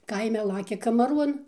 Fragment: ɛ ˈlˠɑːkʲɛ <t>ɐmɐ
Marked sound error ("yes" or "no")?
yes